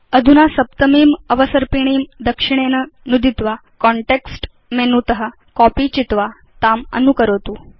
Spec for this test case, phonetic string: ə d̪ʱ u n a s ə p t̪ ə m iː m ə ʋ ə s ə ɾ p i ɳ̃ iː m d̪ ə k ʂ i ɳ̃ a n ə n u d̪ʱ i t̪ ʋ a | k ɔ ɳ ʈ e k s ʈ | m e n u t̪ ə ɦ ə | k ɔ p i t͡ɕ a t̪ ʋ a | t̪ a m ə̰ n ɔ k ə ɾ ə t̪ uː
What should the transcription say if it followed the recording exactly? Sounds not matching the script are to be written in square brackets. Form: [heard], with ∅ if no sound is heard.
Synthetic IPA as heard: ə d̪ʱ u n a s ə p t̪ ə m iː m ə ʋ ə s ə ɾ p i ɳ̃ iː m d̪ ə k ʂ i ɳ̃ [e] n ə n u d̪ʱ i t̪ ʋ a | k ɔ ɳ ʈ e k s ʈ | m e n u t̪ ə ɦ ə | k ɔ p i t͡ɕ [i] t̪ ʋ a | t̪ a m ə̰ n [u] k ə ɾ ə t̪ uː